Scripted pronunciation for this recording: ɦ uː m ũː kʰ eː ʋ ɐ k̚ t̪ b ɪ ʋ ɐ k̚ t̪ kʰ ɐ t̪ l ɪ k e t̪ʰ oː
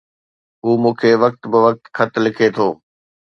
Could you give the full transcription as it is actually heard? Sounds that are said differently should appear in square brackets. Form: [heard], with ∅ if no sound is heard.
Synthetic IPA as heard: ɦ uː m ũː kʰ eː ʋ ɐ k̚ t̪ b ɪ ʋ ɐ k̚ t̪ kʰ ɐ t̪ l ɪ [kʰ] e t̪ʰ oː